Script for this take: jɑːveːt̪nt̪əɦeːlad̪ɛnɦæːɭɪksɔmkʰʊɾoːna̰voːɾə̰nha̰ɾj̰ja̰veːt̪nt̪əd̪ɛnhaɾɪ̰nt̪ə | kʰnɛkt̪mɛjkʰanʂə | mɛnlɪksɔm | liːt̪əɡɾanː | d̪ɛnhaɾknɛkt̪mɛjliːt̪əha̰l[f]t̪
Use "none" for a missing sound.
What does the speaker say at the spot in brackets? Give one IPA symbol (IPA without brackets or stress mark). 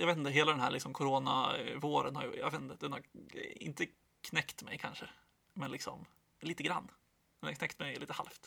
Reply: f